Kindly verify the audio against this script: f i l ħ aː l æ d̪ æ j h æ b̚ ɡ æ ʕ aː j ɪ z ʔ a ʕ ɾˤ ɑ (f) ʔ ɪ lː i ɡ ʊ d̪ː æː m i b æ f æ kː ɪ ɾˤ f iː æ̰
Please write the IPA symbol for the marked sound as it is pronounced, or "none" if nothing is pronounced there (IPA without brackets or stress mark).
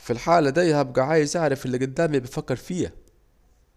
f